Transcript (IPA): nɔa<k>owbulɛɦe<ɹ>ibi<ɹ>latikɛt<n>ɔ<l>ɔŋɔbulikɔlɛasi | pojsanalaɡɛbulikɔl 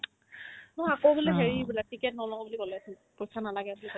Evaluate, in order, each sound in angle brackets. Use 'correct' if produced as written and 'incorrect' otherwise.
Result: correct, correct, incorrect: none, correct, correct

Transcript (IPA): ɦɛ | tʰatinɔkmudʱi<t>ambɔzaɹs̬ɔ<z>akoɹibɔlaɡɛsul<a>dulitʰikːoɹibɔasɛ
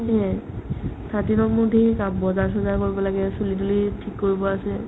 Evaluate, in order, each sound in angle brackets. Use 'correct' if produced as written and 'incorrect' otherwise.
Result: incorrect: k, correct, incorrect: i

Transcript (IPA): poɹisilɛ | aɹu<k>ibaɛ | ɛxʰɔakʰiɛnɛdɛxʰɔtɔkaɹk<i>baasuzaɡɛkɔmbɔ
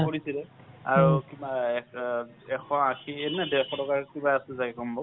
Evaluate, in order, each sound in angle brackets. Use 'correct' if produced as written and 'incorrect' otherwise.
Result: correct, correct

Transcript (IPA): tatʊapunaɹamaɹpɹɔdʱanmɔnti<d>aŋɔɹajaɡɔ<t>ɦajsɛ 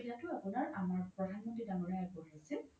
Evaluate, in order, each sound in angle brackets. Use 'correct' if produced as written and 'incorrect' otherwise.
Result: correct, incorrect: none

